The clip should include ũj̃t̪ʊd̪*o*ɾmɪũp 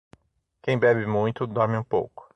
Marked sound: incorrect: ɔ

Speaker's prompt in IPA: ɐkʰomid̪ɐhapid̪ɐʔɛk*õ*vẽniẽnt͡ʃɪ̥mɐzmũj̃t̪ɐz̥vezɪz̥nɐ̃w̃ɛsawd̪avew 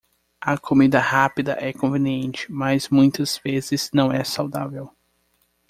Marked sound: correct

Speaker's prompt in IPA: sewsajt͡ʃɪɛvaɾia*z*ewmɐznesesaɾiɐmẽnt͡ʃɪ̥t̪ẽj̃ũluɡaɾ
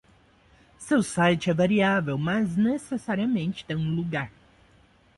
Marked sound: incorrect: v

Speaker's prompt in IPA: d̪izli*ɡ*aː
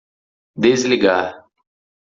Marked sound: correct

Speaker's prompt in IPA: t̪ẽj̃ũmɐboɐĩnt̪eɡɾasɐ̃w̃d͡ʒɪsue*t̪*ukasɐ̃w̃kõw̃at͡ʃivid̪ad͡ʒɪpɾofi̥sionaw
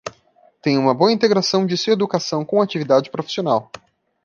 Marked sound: incorrect: d̪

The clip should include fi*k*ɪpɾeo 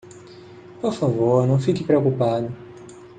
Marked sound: correct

